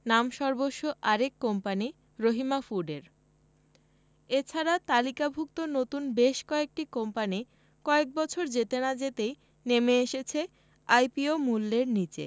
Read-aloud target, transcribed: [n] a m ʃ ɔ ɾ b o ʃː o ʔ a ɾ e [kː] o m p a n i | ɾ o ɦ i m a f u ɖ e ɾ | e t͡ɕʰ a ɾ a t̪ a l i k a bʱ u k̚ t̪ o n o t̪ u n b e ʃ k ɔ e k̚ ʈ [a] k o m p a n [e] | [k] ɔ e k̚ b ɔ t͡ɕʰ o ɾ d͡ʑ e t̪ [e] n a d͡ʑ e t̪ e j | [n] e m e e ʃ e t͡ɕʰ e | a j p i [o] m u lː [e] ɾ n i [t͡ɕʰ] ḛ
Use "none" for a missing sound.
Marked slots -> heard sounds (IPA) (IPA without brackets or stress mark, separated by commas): n, kː, i, i, k, e, n, o, e, t͡ɕ